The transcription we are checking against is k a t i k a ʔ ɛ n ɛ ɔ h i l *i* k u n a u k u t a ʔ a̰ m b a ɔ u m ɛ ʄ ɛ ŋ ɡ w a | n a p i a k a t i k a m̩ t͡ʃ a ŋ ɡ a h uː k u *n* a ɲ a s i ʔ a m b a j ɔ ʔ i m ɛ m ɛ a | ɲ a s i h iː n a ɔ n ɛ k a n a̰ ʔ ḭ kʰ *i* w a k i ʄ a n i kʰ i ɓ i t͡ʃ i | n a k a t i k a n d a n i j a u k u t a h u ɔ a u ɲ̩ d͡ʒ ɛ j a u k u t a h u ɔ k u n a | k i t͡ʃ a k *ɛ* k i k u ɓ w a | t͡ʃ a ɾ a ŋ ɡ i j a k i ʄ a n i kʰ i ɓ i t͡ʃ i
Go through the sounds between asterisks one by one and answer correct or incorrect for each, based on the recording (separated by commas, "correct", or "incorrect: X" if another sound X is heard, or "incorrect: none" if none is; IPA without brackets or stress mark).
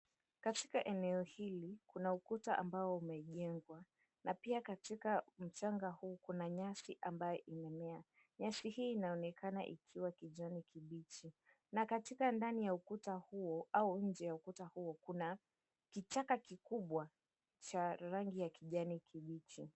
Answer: correct, correct, correct, incorrect: a